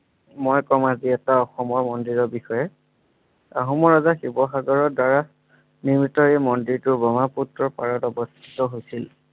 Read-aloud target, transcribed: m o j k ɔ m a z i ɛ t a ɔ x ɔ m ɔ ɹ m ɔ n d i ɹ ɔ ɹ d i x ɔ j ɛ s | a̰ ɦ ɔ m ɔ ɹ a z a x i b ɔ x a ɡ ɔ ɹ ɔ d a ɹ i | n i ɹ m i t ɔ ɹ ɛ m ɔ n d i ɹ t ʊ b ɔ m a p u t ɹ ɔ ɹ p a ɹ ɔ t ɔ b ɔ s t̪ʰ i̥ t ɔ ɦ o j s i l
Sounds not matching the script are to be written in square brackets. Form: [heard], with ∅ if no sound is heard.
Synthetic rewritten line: m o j k ɔ m a z i ɛ t a ɔ x ɔ m ɔ ɹ m ɔ n d i ɹ ɔ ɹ [b] i x ɔ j ɛ [∅] | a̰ ɦ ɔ m ɔ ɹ a z a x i b ɔ x a ɡ ɔ ɹ ɔ d a ɹ [a] | n i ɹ m i t ɔ ɹ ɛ m ɔ n d i ɹ t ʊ b ɔ m a p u t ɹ ɔ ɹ p a ɹ ɔ t ɔ b ɔ s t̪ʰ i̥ t ɔ ɦ o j s i l

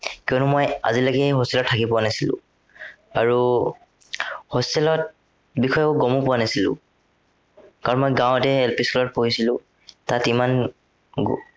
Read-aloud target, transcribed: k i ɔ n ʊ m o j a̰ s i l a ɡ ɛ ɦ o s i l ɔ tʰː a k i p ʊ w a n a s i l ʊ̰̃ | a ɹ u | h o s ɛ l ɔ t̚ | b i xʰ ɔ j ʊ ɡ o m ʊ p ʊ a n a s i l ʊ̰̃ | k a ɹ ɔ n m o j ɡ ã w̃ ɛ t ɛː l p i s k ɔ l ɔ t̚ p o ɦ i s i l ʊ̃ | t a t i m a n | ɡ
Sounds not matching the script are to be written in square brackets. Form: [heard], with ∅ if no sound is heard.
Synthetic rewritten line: k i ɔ n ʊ m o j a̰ [z] i l a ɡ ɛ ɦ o s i l ɔ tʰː a k i p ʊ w a n a s i l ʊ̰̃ | a ɹ u | h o s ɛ l ɔ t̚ | b i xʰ ɔ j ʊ ɡ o m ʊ p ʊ a n a s i l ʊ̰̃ | k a ɹ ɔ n m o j ɡ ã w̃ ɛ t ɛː l p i s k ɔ l ɔ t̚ p o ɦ i s i l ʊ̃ | t a t i m a n | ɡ

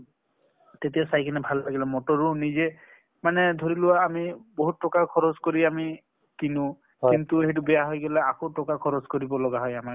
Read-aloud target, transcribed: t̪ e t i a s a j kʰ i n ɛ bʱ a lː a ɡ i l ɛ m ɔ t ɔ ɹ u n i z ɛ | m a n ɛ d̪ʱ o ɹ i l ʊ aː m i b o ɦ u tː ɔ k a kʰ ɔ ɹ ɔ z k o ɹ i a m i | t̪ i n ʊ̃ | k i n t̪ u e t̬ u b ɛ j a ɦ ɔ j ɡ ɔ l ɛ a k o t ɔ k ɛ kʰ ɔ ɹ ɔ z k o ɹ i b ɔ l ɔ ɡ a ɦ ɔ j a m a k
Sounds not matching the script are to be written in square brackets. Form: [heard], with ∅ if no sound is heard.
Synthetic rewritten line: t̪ e t i a s a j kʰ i n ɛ bʱ a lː a ɡ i l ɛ m ɔ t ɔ ɹ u n i z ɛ | m a n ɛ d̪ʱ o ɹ i l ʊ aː m i b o ɦ u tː ɔ k a kʰ ɔ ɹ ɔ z k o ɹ i a m i | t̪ i n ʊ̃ | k i n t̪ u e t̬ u b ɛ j a ɦ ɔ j ɡ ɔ l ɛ a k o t ɔ k [a] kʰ ɔ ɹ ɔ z k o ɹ i b ɔ l ɔ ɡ a ɦ ɔ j a m a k

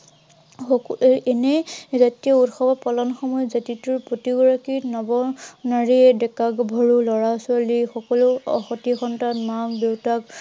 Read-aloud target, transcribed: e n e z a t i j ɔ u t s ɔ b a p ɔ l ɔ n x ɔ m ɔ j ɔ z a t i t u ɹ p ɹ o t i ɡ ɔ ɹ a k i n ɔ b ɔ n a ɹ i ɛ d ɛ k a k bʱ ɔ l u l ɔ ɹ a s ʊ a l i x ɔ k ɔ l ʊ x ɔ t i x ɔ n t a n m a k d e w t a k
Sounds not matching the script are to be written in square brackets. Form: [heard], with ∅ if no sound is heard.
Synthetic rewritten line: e n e z a t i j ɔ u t [x] ɔ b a p ɔ l ɔ n x ɔ m ɔ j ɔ z a t i t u ɹ p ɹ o t i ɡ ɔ ɹ a k i n ɔ b ɔ n a ɹ i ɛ d ɛ k a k bʱ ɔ [ɹ] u l ɔ ɹ a s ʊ a l i x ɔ k ɔ l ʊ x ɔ t i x ɔ n t a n m a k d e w t a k

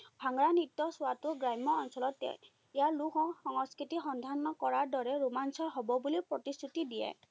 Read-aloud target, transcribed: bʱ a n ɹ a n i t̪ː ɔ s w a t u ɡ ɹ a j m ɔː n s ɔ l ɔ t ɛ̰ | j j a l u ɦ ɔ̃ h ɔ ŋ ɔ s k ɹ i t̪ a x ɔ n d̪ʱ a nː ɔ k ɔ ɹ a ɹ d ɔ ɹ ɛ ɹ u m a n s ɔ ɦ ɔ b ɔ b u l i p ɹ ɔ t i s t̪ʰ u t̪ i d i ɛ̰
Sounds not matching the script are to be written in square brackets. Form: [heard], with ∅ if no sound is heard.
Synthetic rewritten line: bʱ a [ŋ] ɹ a n i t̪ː ɔ s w a t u ɡ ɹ a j m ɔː n s ɔ l ɔ t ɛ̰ | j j a l u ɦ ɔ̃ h ɔ ŋ ɔ s k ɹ i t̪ [i] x ɔ n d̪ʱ a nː ɔ k ɔ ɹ a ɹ d ɔ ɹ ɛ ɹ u m a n s ɔ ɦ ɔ b ɔ b u l i p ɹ ɔ t i s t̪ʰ u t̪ i d i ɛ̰

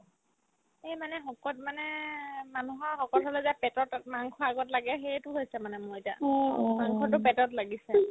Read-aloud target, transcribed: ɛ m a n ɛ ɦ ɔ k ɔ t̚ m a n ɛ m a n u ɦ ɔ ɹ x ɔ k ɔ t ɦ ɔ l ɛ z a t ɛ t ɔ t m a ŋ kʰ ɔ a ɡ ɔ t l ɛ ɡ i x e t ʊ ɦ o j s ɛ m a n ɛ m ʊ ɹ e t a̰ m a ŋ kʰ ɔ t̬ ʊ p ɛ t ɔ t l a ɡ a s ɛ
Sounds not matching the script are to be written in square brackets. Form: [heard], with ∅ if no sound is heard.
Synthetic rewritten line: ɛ m a n ɛ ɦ ɔ k ɔ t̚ m a n ɛ m a n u ɦ ɔ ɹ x ɔ k ɔ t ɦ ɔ l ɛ z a [p] ɛ t ɔ t m a ŋ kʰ ɔ a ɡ ɔ t l [a] ɡ [ɛ] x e t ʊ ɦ o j s ɛ m a n ɛ m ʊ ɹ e t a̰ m a ŋ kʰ ɔ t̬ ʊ p ɛ t ɔ t l a ɡ [i] s ɛ

